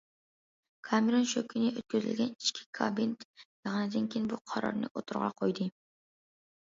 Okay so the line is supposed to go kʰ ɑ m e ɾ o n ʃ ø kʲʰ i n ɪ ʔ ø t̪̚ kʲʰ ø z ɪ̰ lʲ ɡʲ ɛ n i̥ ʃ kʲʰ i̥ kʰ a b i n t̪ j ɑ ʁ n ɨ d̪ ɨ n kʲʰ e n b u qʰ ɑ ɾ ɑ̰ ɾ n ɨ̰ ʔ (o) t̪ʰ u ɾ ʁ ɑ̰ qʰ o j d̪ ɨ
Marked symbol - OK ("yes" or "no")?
yes